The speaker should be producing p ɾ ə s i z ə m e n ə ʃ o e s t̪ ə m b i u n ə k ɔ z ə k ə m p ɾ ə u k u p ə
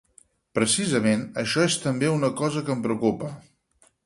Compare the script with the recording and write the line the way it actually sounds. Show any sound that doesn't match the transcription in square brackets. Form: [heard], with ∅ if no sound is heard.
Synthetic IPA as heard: p ɾ ə s i z ə m e n ə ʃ [ɔ] e s t̪ ə m b [e] u n ə k ɔ z ə k ə m p ɾ ə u k u p ə